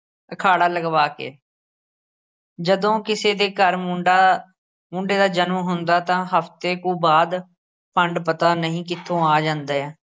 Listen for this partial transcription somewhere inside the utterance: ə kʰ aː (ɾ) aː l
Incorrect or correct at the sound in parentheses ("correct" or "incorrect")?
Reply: incorrect